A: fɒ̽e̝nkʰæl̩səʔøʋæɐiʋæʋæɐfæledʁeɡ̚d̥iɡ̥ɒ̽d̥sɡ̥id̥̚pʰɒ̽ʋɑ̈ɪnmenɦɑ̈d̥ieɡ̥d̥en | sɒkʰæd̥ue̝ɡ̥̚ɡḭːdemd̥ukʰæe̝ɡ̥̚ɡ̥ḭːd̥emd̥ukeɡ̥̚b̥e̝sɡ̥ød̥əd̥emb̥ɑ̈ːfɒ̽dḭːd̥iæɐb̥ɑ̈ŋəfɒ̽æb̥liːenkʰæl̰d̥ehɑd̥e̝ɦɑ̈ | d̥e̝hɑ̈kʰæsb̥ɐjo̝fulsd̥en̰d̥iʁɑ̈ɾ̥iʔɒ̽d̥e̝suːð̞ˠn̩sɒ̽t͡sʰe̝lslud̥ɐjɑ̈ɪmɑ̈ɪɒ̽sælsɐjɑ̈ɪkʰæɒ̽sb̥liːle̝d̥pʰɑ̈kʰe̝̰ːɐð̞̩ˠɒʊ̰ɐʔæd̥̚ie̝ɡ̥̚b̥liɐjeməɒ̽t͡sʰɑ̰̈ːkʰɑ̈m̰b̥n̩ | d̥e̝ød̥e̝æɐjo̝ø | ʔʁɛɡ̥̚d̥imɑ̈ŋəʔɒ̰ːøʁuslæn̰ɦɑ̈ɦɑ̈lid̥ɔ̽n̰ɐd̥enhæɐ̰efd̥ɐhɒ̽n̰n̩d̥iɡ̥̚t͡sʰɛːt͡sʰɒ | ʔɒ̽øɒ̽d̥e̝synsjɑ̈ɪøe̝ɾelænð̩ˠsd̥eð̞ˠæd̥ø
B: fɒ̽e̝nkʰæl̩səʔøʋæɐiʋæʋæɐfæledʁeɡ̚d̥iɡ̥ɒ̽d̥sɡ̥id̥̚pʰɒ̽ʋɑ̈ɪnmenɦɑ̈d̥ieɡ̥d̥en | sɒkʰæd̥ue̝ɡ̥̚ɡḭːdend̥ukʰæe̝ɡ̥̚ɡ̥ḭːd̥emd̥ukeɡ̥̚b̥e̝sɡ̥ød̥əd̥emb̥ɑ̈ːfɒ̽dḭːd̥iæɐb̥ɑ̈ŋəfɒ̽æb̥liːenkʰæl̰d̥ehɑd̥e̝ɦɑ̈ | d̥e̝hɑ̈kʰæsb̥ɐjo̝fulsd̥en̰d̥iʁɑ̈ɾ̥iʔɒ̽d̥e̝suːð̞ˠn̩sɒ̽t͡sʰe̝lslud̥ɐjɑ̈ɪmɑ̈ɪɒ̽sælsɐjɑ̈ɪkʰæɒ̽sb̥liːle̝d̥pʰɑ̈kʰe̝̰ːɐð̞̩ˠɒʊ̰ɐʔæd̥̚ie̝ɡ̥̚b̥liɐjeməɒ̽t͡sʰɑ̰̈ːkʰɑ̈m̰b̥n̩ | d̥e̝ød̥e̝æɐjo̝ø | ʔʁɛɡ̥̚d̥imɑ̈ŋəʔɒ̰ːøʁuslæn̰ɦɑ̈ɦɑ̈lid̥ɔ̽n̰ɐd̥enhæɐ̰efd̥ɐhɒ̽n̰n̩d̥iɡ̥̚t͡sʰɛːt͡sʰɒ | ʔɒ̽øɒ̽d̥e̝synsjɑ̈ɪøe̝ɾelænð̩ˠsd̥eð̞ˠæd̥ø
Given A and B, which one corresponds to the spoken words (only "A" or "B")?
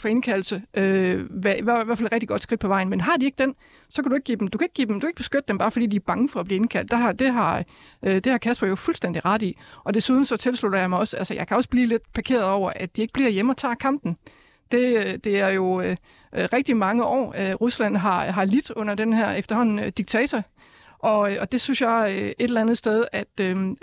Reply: A